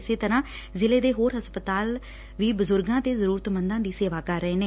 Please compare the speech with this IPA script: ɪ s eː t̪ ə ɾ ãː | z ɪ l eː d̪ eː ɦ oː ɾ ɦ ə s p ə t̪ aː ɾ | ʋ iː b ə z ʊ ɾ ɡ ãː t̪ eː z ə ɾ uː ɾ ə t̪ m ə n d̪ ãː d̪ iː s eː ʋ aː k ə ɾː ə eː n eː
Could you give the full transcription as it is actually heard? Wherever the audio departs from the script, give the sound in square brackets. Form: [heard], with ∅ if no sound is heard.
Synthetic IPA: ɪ s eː t̪ ə ɾ ãː | z ɪ l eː d̪ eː ɦ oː ɾ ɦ ə s p ə t̪ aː [l] | ʋ iː b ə z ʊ ɾ ɡ ãː t̪ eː z ə ɾ uː ɾ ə t̪ m ə n d̪ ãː d̪ iː s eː ʋ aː k ə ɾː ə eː n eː